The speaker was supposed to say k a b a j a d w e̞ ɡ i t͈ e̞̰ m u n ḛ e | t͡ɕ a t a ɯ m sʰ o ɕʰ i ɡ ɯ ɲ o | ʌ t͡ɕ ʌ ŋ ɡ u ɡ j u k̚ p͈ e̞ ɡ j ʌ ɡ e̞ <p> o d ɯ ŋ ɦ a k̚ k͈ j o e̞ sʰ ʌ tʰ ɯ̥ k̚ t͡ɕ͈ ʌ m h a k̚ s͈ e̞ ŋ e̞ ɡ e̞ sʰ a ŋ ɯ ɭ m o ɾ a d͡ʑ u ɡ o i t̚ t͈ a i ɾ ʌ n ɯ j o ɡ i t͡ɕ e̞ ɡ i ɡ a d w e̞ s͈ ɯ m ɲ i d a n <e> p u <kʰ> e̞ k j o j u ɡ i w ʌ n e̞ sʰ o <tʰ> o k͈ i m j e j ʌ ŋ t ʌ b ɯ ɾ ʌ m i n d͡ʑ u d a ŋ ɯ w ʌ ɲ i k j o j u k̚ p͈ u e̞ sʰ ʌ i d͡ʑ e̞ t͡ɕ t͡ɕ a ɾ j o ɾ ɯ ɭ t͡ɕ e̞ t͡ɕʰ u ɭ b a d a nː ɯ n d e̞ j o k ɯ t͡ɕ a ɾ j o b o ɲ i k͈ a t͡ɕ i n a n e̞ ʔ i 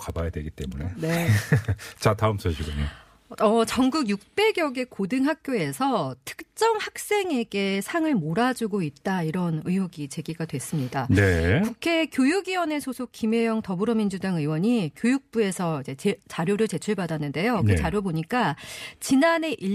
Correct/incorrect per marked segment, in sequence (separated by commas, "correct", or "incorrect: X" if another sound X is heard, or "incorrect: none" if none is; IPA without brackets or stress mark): incorrect: k, correct, correct, incorrect: sʰ